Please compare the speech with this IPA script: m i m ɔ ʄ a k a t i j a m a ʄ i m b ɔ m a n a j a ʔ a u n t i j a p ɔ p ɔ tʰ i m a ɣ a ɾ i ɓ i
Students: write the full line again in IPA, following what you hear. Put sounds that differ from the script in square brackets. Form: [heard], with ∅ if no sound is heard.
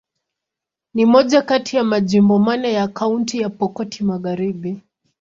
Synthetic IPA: [n] i m ɔ ʄ a k a t i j a m a ʄ i m b ɔ m a n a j a [k] a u n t i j a p ɔ [k] ɔ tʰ i m a ɣ a ɾ i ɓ i